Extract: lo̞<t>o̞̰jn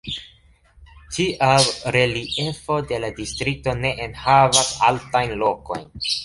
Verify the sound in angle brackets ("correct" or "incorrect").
incorrect